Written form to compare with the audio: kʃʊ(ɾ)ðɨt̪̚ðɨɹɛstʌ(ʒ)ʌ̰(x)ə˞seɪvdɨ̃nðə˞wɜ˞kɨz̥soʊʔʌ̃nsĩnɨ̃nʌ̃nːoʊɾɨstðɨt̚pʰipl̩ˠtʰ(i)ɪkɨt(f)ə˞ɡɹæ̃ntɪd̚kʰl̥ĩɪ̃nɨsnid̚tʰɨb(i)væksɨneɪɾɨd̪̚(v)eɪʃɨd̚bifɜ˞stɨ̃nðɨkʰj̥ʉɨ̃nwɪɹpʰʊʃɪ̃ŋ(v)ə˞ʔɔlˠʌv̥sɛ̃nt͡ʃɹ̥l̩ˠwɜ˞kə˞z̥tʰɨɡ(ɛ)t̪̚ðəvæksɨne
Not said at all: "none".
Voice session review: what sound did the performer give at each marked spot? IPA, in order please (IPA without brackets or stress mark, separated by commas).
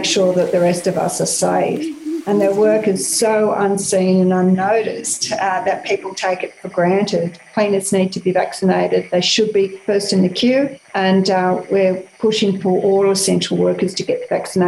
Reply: ɹ, v, s, e, f, i, ð, f, ɛ